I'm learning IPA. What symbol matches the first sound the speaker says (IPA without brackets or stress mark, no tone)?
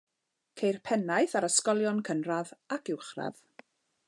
kʰ